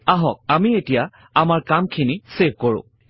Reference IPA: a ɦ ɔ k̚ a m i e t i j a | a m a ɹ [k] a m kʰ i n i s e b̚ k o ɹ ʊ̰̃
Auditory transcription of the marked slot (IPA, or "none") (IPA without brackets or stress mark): k